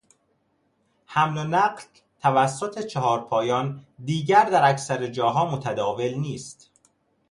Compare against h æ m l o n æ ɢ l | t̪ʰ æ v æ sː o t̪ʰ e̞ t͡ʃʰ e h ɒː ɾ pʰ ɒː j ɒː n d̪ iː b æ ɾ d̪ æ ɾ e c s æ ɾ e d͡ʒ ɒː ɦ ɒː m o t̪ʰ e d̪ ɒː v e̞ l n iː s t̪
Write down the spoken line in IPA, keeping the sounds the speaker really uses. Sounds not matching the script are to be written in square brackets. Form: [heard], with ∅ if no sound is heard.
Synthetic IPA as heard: h æ m l o n æ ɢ l | t̪ʰ æ v æ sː o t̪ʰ e̞ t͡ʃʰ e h ɒː ɾ pʰ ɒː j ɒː n d̪ iː [ɟ] æ ɾ d̪ æ ɾ [æ] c s æ ɾ e d͡ʒ ɒː ɦ ɒː m o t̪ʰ [æ] d̪ ɒː v e̞ l n iː s t̪